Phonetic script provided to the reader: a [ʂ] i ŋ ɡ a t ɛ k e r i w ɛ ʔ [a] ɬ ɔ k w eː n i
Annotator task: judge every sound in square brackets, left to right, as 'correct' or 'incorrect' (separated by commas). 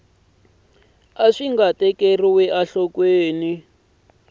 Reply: correct, correct